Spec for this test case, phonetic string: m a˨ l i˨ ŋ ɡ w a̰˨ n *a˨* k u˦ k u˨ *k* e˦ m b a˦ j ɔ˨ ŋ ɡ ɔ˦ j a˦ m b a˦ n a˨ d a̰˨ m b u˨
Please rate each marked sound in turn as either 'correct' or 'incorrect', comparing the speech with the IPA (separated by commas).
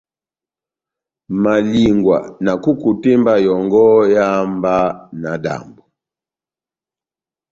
correct, incorrect